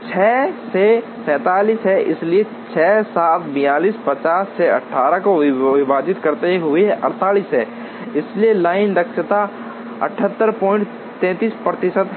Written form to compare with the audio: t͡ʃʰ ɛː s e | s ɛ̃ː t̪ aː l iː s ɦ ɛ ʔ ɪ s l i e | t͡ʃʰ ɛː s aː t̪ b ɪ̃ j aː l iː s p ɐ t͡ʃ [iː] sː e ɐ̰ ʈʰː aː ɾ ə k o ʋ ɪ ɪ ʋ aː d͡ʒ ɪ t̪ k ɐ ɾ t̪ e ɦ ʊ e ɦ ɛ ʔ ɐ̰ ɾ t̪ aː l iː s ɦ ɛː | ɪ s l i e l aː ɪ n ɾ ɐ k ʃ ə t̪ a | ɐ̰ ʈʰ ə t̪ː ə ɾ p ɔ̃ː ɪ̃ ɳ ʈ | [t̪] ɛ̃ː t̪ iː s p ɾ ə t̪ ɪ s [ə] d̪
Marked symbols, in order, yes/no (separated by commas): no, yes, yes